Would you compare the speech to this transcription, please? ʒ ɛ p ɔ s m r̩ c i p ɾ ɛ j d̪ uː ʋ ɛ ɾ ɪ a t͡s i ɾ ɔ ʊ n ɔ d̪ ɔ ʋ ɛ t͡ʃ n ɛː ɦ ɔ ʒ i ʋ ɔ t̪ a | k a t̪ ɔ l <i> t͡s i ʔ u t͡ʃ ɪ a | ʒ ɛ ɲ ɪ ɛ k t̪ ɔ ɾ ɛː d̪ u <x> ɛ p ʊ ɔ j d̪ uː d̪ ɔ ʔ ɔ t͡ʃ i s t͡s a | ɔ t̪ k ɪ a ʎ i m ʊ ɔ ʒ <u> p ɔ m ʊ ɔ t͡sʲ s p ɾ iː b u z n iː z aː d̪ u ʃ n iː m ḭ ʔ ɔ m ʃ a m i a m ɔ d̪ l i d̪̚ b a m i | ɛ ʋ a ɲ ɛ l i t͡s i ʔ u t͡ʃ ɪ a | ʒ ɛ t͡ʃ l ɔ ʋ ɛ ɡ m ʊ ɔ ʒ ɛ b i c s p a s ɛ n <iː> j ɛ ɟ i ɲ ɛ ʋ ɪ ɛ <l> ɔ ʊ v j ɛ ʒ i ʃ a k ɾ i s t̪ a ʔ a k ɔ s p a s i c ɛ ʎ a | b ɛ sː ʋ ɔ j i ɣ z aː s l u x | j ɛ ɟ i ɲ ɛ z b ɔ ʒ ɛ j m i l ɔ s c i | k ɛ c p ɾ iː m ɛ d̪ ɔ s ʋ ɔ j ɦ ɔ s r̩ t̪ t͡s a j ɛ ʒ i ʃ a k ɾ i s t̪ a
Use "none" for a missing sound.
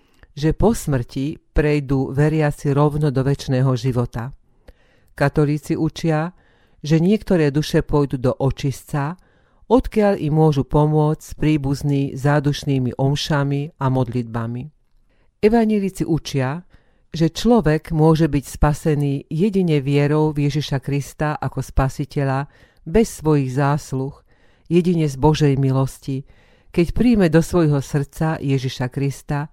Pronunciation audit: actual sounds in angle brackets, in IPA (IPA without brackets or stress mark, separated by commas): iː, ʃ, u, iː, ɾ